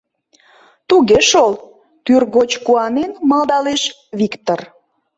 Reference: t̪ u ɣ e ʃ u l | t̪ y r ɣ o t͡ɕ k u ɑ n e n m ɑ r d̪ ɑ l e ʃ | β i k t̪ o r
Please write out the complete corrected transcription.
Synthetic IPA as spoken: t̪ u ɣ e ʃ o l | t̪ y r ɣ o t͡ɕ k u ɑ n e n m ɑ l d̪ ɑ l e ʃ | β i k t̪ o r